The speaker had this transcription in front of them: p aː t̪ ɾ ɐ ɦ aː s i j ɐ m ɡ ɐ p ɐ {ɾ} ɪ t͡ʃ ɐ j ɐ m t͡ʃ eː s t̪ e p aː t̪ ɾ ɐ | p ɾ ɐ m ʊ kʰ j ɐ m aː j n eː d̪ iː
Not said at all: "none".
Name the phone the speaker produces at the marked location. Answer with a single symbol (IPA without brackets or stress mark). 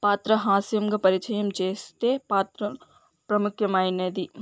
ɾ